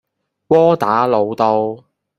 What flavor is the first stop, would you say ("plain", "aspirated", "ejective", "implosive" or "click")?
plain